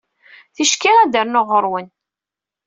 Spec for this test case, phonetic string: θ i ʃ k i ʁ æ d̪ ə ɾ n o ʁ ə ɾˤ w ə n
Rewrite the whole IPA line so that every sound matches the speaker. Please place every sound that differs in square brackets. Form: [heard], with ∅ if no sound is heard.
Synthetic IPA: θ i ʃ k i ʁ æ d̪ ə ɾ n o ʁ ə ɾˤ w ə n